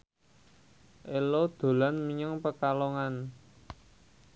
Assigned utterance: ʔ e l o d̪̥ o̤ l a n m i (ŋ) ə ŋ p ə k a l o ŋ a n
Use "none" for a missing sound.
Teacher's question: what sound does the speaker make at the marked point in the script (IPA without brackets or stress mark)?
ɲ